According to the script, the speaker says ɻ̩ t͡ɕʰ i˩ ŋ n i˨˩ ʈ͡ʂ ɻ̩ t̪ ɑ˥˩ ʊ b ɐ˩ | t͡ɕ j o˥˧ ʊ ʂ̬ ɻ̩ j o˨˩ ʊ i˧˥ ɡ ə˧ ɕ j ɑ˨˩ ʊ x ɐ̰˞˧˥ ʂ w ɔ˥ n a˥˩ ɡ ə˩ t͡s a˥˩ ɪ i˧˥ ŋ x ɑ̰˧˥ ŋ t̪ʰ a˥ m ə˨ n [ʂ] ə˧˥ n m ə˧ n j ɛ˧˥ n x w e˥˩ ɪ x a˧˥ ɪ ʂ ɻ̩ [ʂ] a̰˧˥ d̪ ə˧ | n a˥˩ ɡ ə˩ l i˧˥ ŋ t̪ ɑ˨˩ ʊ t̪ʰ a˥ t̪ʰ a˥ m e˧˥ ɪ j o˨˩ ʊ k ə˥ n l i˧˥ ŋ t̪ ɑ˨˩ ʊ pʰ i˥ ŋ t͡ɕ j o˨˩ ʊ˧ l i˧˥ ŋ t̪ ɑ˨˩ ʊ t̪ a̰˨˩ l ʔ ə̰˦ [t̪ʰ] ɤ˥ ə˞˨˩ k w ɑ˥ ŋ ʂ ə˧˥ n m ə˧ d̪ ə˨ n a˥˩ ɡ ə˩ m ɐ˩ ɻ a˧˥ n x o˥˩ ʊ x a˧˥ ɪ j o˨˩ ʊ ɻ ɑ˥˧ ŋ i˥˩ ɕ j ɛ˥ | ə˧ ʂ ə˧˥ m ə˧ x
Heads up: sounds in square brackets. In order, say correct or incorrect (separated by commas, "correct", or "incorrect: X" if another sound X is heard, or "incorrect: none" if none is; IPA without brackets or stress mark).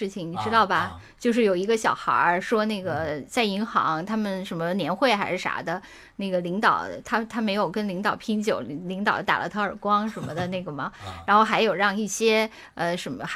correct, correct, correct